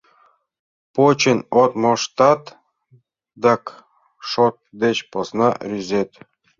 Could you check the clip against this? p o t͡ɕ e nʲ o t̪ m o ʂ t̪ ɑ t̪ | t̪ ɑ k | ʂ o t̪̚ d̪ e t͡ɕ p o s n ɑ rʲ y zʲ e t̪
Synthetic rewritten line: p o t͡ɕ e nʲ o t̪ m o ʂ t̪ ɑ t̪ | d̪ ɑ k | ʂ o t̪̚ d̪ e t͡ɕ p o s n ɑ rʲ y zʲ e t̪